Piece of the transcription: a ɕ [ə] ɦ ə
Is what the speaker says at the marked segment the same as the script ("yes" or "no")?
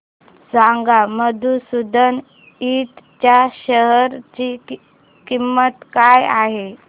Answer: yes